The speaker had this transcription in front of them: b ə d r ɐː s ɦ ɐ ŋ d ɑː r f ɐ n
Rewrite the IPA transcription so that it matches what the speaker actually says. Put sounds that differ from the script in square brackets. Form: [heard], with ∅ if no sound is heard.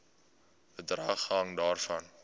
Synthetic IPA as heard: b ə d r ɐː [χ] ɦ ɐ ŋ d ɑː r f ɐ n